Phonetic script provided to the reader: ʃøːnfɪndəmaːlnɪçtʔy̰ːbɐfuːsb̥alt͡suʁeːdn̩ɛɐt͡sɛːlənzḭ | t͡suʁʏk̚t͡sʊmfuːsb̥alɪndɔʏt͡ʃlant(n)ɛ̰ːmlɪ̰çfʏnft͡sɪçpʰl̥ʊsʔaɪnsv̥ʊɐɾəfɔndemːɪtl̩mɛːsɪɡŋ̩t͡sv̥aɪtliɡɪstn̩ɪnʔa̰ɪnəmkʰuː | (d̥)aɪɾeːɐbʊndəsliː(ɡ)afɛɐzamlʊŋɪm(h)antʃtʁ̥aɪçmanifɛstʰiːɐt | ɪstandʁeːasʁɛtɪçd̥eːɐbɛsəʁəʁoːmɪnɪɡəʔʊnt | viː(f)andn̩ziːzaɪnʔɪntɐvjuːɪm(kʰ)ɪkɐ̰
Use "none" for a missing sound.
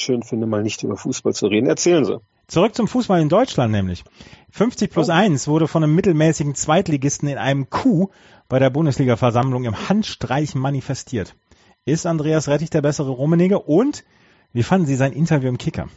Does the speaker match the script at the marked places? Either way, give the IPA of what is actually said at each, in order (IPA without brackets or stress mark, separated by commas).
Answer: n, b̥, ɡ, h, f, kʰ